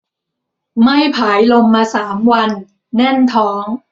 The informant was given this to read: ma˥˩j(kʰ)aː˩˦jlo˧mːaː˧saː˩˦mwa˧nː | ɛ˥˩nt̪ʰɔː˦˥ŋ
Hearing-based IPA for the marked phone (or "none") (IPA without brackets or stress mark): pʰ